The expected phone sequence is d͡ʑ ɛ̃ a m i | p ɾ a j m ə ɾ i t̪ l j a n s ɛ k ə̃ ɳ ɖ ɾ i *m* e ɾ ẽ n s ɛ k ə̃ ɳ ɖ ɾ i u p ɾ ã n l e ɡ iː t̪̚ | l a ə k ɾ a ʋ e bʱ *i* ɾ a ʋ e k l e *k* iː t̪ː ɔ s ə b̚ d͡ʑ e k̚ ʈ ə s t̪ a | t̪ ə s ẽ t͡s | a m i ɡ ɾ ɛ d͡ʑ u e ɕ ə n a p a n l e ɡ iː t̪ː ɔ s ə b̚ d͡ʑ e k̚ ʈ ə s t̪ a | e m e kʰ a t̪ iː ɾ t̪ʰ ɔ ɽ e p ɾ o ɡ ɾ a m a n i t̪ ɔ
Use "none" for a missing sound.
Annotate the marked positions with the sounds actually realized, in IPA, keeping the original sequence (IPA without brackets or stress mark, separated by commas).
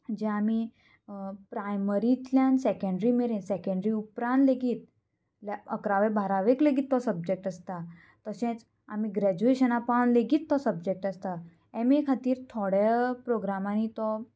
m, a, ɡ